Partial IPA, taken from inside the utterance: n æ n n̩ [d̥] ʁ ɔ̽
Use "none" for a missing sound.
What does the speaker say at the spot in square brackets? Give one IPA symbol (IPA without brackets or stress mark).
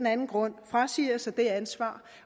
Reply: ɡ̥